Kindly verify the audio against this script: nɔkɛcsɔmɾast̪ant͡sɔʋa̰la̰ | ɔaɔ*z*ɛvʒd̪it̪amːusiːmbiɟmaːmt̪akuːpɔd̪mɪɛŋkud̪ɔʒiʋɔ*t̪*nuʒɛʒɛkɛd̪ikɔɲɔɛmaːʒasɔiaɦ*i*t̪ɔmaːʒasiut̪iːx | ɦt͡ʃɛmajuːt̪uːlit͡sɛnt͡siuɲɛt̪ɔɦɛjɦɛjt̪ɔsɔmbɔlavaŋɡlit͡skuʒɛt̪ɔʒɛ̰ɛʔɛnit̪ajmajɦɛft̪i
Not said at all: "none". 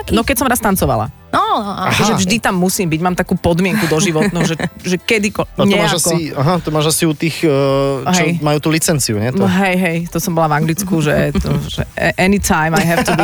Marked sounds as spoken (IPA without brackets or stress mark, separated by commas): ʒ, t̪, a